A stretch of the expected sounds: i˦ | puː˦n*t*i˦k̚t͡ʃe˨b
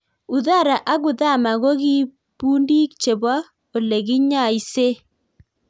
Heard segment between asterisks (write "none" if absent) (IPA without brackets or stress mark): d